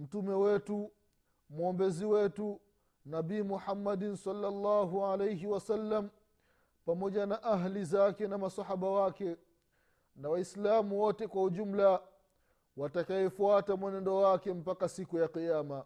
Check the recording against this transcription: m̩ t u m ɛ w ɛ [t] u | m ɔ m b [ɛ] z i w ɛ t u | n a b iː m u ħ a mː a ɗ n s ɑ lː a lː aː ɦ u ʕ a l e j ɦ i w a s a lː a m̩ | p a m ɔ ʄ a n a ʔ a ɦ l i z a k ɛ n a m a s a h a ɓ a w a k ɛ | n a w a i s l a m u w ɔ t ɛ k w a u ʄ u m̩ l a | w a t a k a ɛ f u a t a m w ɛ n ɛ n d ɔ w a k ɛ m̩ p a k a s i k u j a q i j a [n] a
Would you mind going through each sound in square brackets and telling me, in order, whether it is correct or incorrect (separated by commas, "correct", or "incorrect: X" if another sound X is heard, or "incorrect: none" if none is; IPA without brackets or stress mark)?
correct, correct, incorrect: m